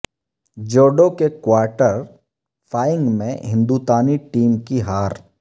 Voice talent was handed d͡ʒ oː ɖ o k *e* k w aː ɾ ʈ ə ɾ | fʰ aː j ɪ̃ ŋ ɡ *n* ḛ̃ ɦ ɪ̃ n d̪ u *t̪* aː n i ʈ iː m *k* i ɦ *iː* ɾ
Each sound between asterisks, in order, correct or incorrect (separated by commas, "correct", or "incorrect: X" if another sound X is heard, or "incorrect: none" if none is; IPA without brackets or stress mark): correct, incorrect: m, correct, correct, incorrect: aː